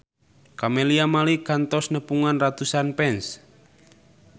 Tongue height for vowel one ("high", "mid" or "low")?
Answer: low